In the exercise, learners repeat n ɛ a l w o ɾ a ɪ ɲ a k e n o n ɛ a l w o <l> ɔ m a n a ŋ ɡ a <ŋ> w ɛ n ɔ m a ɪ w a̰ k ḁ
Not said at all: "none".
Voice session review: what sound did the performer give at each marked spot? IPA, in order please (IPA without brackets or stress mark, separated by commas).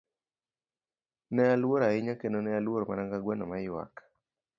ɾ, ɡ